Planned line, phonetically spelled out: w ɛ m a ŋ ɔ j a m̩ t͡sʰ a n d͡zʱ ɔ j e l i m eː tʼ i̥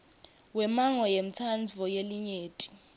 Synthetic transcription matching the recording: w ɛ m a ŋ ɔ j e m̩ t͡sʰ a n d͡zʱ ɔ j e l i ɲ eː tʼ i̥